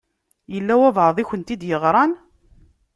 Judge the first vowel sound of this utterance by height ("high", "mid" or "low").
mid